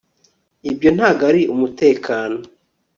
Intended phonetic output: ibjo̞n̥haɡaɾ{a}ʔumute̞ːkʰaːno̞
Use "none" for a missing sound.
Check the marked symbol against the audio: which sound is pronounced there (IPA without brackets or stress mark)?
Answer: i